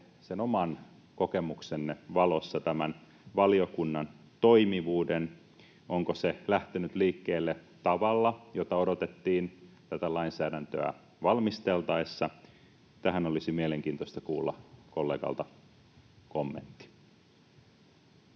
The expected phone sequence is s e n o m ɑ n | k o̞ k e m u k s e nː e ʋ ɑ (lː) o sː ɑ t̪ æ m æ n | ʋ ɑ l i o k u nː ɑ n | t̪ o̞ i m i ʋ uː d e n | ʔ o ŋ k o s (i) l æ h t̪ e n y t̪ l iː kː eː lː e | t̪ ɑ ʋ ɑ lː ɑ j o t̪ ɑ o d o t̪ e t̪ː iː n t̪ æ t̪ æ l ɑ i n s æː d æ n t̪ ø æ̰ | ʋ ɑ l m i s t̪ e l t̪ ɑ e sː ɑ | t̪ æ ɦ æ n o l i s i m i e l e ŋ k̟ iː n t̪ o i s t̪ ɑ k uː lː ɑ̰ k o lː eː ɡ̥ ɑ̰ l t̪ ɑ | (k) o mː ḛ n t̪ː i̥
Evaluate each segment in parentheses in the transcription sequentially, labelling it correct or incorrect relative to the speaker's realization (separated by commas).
incorrect, incorrect, correct